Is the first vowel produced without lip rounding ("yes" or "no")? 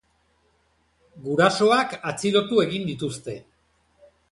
no